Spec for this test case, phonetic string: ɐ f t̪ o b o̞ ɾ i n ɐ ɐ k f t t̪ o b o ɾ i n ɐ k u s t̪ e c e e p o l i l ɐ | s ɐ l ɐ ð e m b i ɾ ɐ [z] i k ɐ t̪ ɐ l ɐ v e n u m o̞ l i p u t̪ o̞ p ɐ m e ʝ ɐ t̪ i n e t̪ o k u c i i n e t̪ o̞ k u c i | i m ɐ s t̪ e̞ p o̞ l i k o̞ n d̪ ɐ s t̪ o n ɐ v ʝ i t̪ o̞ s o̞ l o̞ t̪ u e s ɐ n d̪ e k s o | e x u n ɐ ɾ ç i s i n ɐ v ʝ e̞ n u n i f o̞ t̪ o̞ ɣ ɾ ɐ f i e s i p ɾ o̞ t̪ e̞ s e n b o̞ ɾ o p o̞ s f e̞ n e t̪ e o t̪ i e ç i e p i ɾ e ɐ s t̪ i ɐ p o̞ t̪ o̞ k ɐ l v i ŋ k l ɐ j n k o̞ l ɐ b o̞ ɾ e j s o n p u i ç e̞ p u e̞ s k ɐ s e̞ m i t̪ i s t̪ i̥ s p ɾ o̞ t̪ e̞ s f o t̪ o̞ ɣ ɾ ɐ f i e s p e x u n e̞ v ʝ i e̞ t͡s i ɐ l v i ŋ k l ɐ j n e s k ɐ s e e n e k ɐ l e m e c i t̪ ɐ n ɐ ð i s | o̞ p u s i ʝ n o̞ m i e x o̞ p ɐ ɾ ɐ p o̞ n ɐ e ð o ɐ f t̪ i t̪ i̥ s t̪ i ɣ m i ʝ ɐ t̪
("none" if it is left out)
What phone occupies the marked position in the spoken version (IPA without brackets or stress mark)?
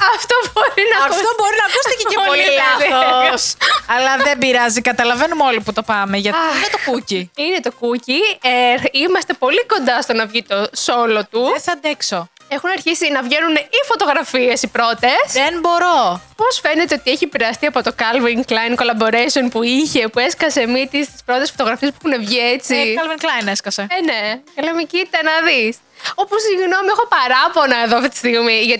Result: z